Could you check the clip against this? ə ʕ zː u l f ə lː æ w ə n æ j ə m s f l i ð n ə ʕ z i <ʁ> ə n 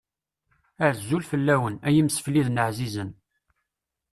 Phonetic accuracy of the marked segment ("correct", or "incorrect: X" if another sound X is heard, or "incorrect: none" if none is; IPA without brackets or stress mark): incorrect: z